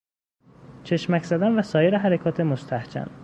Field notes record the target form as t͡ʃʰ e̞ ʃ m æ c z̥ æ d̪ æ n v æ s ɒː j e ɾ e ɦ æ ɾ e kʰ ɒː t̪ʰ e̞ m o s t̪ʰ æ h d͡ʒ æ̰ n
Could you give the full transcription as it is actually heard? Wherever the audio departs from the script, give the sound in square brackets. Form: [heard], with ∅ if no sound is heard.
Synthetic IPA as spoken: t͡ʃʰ e̞ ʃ m æ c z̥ æ d̪ æ n v æ s ɒː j e ɾ e ɦ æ ɾ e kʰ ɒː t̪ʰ e̞ m o s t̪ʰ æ h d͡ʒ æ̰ n